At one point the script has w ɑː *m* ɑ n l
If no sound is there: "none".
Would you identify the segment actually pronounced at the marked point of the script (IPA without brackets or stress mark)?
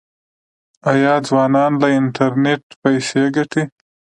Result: n